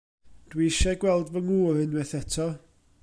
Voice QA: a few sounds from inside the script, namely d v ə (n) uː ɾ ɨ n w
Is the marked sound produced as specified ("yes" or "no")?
no